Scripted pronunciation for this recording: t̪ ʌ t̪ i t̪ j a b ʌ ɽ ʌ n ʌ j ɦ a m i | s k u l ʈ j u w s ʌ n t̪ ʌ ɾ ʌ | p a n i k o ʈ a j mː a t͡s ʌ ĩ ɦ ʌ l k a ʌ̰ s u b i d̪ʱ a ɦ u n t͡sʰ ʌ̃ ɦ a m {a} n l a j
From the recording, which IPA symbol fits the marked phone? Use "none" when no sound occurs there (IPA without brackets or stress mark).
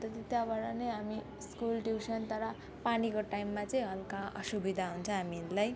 i